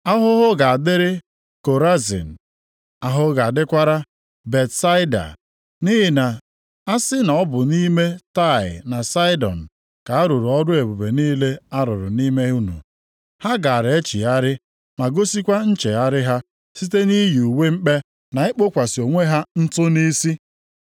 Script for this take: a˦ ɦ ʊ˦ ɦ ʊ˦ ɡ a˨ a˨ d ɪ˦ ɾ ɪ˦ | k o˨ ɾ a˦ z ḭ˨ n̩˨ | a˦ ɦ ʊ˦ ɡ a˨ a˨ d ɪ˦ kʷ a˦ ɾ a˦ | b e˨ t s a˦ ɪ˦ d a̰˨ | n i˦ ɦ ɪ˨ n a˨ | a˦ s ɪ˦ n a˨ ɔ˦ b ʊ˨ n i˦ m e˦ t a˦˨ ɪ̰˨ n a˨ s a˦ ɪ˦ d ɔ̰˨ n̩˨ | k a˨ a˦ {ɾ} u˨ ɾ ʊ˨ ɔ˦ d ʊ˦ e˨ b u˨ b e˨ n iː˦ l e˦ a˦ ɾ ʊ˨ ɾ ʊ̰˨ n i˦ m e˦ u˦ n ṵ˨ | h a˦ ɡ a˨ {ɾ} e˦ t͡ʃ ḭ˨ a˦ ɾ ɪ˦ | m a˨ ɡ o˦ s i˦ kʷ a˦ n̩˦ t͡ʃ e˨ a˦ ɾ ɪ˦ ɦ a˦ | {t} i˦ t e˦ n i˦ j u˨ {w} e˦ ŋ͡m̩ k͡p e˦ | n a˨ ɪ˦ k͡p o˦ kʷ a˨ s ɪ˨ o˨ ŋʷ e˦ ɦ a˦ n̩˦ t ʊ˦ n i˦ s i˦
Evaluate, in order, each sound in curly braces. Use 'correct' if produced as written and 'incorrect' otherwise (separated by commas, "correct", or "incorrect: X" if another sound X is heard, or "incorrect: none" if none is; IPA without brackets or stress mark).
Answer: correct, correct, incorrect: s, correct